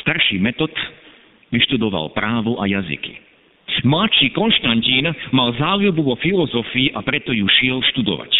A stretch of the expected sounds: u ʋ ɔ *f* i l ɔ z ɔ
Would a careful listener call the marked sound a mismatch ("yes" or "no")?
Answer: no